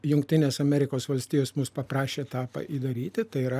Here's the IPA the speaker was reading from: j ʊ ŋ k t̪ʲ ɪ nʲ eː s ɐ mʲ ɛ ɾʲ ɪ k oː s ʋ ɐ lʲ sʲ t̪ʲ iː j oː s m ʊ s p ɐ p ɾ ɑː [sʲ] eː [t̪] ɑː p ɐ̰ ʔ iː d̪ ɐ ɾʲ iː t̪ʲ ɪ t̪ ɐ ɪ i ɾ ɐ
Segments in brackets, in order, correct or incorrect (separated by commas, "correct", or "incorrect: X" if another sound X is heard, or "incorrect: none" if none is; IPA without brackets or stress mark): incorrect: ʃʲ, correct